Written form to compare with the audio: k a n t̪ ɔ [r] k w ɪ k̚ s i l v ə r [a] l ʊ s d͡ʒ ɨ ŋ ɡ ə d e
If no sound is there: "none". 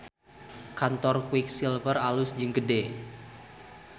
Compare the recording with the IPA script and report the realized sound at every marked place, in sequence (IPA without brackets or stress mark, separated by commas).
r, a